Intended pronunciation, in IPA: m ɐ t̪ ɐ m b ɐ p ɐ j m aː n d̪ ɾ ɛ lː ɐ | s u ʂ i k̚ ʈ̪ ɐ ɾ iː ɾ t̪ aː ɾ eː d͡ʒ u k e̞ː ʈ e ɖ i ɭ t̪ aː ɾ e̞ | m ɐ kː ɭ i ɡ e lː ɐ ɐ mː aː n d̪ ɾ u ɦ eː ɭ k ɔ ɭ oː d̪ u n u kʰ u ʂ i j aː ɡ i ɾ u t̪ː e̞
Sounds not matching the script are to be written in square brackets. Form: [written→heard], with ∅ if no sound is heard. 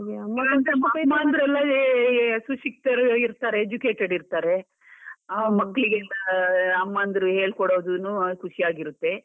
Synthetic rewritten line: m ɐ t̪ ɐ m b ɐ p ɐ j m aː n d̪ ɾ ɛ lː ɐ | s u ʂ i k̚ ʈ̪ ɐ ɾ [iː→i] ɾ t̪ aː ɾ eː d͡ʒ u k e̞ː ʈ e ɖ i [ɭ→ɾ] t̪ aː ɾ e̞ | m ɐ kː ɭ i ɡ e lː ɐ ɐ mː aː n d̪ ɾ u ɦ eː ɭ k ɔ [ɭ→ɽ] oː d̪ u n u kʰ u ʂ i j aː ɡ i ɾ u t̪ː e̞